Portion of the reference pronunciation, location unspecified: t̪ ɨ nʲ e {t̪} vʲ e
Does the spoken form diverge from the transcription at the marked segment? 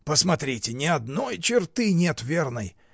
no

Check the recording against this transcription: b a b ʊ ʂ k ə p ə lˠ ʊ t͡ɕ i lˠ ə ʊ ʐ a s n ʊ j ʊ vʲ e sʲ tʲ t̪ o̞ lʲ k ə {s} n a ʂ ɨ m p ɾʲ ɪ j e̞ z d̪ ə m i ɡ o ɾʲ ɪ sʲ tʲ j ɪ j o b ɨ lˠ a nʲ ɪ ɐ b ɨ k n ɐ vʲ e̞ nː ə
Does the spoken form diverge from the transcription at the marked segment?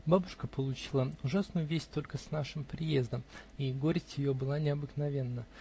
no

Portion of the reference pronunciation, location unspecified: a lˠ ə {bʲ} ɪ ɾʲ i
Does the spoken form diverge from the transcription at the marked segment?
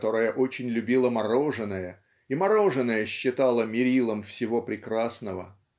yes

